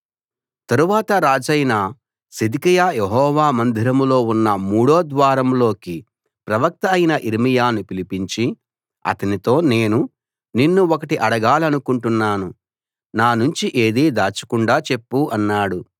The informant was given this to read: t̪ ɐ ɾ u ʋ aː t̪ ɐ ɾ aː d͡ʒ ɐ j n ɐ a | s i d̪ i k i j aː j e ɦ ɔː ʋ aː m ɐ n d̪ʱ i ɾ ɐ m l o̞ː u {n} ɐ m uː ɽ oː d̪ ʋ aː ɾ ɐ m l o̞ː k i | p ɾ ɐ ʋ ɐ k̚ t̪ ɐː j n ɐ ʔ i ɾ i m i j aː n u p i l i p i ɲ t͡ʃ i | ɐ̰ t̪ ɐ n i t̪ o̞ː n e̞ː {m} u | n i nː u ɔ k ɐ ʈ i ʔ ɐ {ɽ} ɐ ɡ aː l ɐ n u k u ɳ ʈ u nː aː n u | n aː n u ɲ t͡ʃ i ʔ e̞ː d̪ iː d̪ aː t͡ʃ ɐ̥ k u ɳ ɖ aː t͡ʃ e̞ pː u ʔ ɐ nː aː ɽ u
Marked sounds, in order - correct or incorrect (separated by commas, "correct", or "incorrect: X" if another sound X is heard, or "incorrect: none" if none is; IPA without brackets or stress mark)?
incorrect: nː, incorrect: n, correct